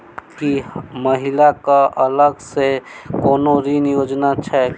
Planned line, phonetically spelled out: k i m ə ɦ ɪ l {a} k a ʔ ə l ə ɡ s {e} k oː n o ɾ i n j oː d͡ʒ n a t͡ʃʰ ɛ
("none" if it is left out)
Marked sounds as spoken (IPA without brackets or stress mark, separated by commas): a, e